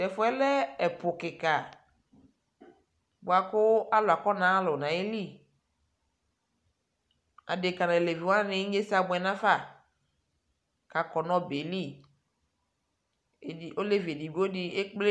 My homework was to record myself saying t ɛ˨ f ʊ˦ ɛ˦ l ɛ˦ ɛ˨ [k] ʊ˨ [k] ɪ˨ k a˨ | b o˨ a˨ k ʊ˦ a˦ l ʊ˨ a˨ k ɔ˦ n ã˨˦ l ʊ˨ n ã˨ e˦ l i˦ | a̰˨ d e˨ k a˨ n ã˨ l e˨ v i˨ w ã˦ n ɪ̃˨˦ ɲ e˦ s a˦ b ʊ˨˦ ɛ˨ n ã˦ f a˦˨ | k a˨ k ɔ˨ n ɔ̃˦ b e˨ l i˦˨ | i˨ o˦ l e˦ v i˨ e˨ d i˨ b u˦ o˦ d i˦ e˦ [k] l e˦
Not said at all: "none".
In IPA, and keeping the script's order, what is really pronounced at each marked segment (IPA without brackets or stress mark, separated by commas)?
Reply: p, k, k͡p